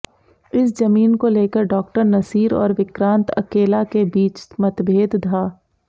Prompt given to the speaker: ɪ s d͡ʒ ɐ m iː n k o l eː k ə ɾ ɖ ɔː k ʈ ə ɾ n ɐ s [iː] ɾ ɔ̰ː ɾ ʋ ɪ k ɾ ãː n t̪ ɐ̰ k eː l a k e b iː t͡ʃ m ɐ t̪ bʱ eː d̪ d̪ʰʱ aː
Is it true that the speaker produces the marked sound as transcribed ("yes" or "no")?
yes